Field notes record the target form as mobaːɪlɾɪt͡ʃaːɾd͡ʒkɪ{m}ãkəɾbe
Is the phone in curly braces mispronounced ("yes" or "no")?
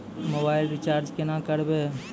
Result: yes